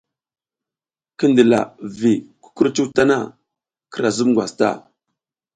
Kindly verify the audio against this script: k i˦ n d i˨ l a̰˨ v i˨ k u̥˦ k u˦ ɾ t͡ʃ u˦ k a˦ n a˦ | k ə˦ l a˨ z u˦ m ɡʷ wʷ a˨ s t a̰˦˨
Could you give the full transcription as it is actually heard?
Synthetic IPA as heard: k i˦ n d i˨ l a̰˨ v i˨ k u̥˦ k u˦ ɾ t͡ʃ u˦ t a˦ n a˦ | k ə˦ ɾ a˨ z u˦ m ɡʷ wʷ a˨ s t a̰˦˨